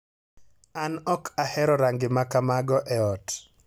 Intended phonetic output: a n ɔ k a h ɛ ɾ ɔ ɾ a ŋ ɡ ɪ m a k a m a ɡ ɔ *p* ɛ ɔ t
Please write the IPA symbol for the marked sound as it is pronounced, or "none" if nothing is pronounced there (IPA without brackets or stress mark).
ʔ